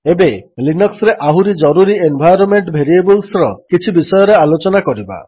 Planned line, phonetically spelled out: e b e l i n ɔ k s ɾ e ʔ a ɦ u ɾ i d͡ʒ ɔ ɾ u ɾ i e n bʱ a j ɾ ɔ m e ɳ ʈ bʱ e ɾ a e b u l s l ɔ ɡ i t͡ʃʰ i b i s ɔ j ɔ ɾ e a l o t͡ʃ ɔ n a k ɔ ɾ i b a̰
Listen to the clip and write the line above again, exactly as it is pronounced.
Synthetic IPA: e b e l i n ɔ k s ɾ e ʔ a ɦ u ɾ i d͡ʒ ɔ ɾ u ɾ i e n bʱ a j ɾ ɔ m e ɳ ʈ bʱ e ɾ i e b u l s ɾ ɔ k i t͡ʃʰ i b i s ɔ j ɔ ɾ e a l o t͡ʃ ɔ n a k ɔ ɾ i b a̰